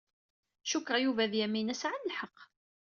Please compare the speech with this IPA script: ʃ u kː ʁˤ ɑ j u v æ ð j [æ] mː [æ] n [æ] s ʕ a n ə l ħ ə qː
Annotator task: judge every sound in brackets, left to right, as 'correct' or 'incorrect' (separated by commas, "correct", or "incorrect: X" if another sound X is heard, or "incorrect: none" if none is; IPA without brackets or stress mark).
correct, incorrect: i, correct